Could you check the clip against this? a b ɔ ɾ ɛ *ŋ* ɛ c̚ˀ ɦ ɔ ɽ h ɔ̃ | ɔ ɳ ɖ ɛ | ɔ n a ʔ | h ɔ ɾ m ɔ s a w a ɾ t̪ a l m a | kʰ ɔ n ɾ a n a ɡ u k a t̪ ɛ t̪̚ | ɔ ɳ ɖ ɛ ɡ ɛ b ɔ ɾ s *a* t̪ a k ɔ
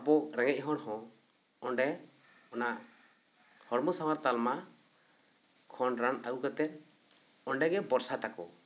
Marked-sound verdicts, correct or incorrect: correct, correct

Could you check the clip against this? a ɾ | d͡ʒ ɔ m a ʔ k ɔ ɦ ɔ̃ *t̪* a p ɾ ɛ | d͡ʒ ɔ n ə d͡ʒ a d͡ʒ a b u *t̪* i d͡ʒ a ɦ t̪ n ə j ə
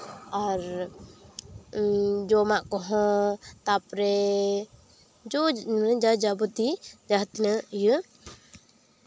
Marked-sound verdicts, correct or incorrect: correct, correct

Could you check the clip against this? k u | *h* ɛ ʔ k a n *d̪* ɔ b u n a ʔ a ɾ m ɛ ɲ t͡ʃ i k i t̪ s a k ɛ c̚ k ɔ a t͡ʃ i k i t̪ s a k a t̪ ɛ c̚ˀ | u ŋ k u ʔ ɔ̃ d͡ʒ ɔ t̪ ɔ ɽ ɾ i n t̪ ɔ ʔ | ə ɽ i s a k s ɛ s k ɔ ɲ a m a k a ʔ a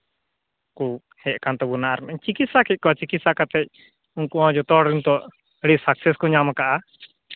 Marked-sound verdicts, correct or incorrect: correct, incorrect

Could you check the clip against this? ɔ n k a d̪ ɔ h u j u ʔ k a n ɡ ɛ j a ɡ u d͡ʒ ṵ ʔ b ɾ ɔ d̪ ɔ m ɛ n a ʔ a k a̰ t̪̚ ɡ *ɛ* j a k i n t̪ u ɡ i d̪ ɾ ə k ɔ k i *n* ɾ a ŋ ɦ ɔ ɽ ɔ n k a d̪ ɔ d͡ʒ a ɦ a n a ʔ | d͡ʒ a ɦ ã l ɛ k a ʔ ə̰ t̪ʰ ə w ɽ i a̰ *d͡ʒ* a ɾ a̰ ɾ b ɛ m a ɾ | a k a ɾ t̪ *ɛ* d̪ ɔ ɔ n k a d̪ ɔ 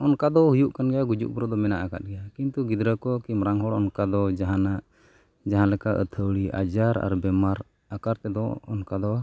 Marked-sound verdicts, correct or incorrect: correct, incorrect, correct, correct

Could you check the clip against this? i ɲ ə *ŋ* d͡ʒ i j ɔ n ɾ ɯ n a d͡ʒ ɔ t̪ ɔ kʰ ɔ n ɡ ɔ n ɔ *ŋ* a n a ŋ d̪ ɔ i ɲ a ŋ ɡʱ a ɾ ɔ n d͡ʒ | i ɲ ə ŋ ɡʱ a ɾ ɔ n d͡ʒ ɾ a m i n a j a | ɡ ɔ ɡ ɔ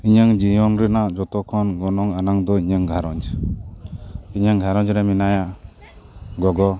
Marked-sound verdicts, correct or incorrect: correct, correct

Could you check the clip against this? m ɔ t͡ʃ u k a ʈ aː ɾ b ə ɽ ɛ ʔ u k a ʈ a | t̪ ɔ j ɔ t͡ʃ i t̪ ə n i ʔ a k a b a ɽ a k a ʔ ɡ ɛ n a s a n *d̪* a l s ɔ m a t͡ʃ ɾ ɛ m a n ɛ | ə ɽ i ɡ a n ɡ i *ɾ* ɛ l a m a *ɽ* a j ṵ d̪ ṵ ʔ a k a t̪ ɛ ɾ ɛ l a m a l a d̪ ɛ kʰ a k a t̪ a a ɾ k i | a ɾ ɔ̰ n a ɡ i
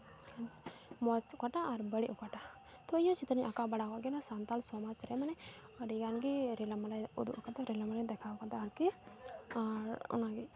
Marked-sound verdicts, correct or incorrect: incorrect, correct, incorrect

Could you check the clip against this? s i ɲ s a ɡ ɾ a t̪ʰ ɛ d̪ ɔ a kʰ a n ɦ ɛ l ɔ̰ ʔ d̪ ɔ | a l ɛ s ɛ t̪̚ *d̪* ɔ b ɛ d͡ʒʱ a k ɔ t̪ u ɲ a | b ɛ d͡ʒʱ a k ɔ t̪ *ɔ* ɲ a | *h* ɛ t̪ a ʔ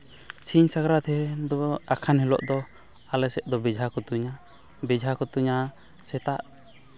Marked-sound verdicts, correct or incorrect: correct, incorrect, incorrect

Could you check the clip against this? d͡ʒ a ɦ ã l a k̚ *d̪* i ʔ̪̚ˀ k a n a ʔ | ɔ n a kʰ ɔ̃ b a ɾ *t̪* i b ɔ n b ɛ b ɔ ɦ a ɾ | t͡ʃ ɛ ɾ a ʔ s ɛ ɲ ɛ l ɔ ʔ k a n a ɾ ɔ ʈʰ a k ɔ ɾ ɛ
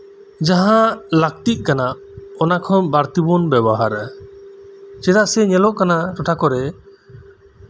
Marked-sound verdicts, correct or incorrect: incorrect, correct

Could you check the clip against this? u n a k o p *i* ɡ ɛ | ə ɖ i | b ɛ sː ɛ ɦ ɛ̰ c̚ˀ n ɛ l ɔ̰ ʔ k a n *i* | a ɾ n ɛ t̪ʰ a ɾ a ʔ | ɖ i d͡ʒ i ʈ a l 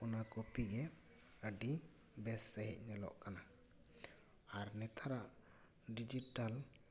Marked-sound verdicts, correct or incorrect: correct, incorrect

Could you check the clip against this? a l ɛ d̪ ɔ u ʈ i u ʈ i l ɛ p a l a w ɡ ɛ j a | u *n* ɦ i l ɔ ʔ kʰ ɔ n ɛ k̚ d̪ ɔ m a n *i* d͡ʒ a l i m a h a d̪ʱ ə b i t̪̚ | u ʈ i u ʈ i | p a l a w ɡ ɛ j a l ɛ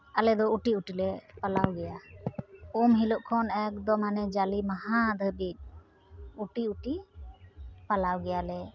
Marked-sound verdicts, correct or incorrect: incorrect, incorrect

